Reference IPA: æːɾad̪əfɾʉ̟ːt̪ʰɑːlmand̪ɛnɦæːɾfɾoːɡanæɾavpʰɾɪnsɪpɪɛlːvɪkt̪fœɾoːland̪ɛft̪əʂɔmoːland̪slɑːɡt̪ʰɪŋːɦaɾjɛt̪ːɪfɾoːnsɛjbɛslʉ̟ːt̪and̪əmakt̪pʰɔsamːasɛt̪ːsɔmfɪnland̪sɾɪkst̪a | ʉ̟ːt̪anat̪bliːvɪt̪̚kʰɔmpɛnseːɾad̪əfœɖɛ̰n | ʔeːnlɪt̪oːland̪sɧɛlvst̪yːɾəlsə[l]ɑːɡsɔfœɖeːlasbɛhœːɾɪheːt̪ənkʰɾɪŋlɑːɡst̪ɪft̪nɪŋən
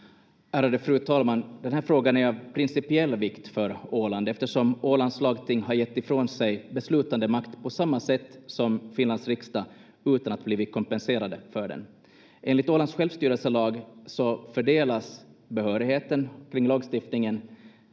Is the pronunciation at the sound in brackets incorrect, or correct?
correct